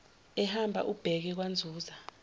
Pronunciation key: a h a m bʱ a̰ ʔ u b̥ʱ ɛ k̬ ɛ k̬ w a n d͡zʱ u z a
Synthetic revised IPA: ɛ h a m bʱ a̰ ʔ u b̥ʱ ɛ k̬ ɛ k̬ w a n d͡zʱ uː z a